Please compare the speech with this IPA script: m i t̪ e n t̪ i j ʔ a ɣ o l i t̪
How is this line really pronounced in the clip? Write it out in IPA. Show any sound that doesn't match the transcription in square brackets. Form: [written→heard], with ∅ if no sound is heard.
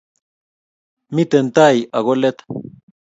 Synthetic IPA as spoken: m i t̪ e n t̪ [i→a] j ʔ a ɣ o l [i→e] t̪